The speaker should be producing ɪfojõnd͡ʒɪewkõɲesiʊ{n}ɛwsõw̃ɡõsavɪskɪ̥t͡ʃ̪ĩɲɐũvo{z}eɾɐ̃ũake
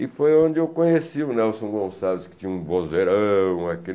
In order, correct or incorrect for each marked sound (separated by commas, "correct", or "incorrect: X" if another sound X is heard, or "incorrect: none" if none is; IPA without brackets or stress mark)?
correct, correct